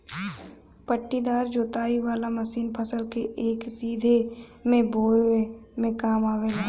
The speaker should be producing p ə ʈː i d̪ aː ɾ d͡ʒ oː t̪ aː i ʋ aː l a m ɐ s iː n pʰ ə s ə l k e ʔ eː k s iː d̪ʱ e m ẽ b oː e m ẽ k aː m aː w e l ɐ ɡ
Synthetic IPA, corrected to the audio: p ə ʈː i d̪ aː ɾ d͡ʒ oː t̪ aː i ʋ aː l a m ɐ s iː n pʰ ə s ə l k e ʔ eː k s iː d̪ʱ e m ẽ b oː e m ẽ k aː m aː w e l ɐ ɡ